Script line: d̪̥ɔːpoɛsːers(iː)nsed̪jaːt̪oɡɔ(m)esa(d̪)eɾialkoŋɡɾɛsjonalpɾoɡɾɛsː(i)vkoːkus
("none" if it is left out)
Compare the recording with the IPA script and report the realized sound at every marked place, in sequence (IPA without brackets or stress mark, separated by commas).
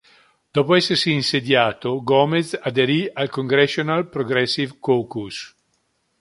iː, m, d̪, i